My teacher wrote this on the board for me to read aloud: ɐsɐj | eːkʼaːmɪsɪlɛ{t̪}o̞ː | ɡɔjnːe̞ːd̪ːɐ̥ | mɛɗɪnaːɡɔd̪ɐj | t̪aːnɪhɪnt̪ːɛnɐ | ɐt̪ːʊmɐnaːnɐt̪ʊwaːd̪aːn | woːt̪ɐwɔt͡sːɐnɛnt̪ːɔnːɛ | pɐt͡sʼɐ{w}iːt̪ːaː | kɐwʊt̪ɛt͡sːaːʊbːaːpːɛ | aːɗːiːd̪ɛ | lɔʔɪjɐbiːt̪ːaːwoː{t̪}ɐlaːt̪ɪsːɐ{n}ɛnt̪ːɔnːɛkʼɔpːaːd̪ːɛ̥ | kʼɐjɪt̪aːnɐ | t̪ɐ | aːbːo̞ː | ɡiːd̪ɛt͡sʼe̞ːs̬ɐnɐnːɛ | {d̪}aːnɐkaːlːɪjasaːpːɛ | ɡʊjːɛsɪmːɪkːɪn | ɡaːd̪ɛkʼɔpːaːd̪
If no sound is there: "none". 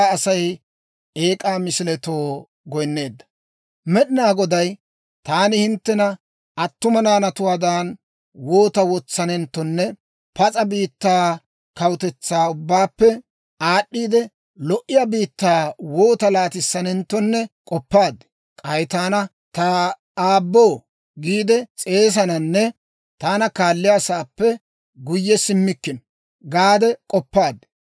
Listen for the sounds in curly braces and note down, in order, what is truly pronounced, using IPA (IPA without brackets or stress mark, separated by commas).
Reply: t̪, b, t̪, n, t̪